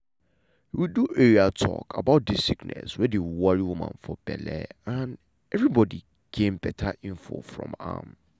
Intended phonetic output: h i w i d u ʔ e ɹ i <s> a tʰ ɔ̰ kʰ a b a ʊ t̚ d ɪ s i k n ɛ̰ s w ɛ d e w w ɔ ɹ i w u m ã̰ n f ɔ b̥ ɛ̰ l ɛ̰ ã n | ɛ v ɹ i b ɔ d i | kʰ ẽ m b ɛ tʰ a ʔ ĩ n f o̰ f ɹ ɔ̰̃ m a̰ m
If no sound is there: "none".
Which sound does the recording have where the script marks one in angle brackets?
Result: none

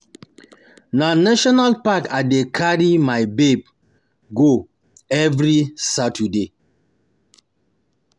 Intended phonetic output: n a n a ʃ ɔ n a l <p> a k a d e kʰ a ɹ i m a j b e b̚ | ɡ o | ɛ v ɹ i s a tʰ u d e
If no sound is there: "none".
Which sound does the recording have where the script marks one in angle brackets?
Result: p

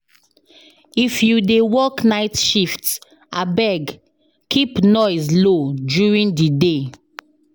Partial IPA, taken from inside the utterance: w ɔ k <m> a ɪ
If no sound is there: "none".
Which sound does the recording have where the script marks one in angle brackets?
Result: n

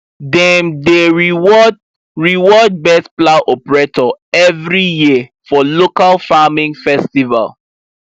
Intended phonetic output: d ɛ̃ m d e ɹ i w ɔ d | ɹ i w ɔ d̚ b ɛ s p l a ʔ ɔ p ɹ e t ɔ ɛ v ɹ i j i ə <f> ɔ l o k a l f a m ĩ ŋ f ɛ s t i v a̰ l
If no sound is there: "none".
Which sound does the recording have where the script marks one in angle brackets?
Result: f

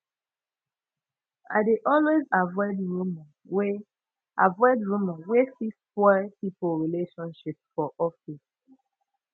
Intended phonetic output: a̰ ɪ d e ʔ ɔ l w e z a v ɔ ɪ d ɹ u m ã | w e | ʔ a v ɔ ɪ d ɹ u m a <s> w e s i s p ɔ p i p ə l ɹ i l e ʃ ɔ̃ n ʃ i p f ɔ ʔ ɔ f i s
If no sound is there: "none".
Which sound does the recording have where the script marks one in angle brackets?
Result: none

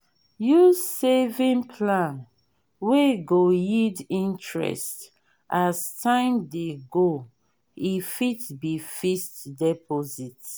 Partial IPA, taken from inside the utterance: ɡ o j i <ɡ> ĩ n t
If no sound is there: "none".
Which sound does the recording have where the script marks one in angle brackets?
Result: d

